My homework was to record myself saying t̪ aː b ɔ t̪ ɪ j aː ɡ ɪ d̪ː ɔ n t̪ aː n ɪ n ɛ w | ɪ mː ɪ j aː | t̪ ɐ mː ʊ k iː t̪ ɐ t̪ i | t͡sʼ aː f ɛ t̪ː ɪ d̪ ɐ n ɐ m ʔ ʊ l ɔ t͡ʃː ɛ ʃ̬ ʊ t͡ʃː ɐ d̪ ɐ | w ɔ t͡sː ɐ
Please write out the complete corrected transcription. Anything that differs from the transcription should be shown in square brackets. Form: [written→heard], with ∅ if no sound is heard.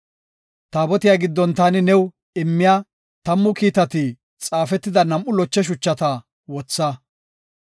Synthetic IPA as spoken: t̪ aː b ɔ t̪ ɪ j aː ɡ ɪ d̪ː ɔ n t̪ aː n ɪ n ɛ w | ɪ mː ɪ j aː | t̪ ɐ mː ʊ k iː t̪ ɐ t̪ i | t͡sʼ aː f ɛ t̪ː ɪ d̪ ɐ n ɐ m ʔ ʊ l ɔ t͡ʃː ɛ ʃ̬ ʊ t͡ʃː ɐ [d̪→t̪] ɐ | w ɔ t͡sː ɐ